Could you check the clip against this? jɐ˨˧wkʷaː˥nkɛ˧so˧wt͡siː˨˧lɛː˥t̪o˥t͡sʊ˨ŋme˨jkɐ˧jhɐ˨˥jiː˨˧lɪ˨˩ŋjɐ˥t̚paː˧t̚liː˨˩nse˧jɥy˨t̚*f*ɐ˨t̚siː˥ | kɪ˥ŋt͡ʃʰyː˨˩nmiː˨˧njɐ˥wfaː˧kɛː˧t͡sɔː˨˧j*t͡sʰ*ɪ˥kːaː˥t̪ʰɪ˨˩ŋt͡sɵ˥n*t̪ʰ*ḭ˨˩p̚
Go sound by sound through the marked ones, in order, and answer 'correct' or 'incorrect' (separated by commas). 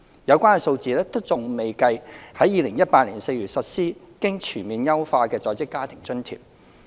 incorrect, incorrect, correct